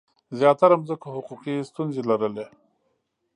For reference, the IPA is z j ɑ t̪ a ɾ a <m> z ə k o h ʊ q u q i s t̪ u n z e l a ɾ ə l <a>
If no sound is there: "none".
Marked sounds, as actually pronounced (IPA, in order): m, e

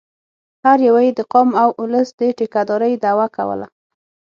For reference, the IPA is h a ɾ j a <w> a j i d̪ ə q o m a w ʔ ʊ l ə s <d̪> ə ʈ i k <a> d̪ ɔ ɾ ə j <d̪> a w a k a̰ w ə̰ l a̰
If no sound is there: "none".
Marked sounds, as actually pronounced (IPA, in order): w, d̪, a, d̪

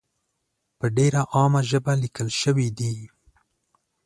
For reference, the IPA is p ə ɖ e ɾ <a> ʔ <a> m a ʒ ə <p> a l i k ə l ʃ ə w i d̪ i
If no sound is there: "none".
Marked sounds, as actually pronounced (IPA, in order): a, ɑ, b

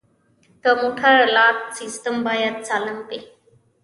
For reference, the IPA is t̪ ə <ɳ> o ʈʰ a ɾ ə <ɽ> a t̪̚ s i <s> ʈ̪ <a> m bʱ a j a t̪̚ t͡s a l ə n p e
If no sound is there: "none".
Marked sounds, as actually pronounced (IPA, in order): m, l, s, ə

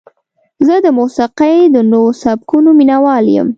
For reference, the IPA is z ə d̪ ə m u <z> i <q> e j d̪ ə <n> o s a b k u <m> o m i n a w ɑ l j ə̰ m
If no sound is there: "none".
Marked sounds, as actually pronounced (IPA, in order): s, q, n, n

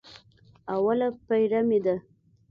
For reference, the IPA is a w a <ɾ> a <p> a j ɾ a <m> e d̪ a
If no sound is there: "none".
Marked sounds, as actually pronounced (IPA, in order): l, p, m

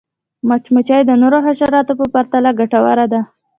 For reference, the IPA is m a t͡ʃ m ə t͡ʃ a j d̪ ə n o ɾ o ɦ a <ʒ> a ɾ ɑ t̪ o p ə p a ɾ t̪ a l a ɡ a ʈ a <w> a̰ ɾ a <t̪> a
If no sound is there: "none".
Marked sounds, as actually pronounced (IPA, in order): ʃ, w, d̪

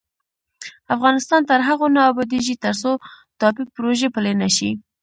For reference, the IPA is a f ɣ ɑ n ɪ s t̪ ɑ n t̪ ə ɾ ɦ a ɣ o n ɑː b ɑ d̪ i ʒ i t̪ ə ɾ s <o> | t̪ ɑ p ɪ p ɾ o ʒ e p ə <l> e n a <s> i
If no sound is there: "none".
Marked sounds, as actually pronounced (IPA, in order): o, l, ʃ

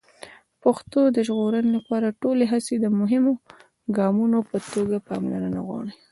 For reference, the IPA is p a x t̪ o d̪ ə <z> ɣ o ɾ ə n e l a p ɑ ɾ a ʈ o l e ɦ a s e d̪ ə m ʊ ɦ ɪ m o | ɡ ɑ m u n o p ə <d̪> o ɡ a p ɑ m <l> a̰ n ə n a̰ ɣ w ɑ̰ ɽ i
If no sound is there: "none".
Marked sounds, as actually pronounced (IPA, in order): ʒ, t̪, l

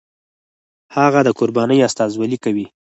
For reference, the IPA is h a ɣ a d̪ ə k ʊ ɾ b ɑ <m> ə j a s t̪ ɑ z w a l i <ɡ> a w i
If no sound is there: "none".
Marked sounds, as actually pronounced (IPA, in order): n, k

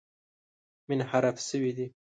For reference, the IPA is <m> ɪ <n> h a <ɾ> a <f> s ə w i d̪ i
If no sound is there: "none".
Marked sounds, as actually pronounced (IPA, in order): m, n, ɾ, f

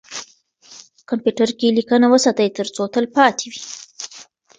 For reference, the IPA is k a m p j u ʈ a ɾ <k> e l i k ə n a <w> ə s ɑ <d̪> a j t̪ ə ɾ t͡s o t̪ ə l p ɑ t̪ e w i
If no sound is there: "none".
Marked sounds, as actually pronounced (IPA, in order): k, w, t̪

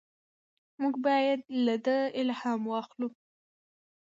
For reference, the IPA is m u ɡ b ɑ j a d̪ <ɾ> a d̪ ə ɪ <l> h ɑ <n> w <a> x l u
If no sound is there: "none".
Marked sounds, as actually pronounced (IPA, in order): l, l, m, ɑ

